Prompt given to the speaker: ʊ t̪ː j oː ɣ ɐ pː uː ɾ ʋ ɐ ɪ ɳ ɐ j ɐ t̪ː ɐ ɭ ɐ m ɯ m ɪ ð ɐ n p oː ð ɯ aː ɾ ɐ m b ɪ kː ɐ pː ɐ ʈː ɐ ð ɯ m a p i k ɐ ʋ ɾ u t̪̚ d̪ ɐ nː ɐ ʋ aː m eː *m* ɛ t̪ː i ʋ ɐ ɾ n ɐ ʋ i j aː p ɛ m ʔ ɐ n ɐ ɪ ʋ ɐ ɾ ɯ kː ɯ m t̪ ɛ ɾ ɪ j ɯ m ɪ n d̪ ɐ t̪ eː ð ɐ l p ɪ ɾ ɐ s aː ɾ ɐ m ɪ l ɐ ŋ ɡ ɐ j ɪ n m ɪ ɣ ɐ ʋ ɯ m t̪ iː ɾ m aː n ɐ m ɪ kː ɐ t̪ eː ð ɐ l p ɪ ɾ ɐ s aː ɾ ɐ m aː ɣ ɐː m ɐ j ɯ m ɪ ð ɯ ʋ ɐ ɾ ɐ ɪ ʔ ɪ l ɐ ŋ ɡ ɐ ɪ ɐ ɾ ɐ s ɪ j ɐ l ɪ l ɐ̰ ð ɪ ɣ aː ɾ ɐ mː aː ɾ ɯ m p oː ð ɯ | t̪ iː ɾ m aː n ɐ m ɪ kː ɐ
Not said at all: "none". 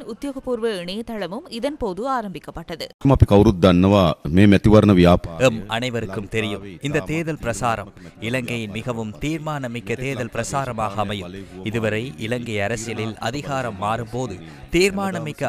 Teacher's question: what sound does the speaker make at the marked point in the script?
m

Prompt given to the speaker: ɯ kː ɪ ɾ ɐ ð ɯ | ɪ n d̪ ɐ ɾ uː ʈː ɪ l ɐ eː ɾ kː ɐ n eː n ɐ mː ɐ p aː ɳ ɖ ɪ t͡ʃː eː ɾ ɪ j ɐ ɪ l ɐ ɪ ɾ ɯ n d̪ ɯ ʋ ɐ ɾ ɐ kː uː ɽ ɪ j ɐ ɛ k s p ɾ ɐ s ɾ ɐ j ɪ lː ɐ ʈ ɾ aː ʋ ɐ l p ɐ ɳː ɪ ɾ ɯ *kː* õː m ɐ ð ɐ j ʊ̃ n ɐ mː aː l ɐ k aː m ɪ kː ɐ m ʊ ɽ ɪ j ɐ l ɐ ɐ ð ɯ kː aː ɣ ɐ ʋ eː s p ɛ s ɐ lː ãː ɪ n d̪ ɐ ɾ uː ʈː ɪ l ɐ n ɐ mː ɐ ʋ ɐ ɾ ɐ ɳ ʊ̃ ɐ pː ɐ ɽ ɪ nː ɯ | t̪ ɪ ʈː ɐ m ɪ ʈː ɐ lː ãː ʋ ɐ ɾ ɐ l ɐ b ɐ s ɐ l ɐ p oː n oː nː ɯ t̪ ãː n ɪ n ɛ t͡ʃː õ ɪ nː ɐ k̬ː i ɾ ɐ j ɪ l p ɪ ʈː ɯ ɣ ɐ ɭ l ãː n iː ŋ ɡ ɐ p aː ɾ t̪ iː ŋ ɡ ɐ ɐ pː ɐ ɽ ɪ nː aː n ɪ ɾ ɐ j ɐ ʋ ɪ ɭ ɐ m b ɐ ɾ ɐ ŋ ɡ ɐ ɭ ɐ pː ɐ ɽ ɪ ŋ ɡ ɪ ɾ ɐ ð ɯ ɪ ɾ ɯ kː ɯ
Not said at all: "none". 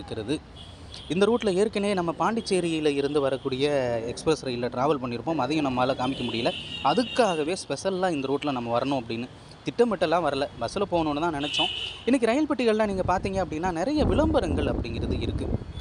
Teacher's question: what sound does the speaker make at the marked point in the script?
pː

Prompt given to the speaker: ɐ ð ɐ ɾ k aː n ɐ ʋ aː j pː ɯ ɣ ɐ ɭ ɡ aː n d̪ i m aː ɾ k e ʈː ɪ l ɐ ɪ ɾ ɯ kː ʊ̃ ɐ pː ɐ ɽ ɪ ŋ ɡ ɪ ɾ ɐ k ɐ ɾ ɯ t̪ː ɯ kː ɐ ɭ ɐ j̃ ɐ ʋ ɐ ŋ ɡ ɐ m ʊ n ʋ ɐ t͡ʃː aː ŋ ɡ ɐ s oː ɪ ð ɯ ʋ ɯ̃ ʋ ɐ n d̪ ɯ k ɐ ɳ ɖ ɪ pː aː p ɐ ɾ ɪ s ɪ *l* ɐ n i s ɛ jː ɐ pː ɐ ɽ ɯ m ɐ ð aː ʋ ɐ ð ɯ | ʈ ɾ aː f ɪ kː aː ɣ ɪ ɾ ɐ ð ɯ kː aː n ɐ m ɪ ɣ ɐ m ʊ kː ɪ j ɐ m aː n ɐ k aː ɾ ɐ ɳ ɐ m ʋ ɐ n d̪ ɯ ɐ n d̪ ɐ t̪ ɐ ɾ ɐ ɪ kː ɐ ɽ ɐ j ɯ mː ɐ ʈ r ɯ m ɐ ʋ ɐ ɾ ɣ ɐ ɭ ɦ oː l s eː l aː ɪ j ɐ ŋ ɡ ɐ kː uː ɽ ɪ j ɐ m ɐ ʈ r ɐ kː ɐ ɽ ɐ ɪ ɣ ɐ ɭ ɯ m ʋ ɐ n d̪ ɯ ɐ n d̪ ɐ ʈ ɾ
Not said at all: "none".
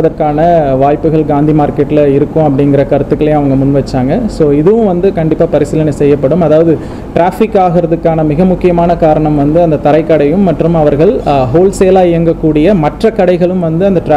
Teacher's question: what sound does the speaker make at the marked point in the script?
l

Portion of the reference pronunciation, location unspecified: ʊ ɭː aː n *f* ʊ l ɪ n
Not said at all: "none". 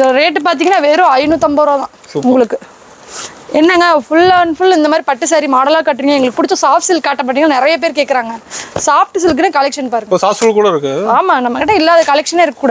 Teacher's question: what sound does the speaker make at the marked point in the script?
f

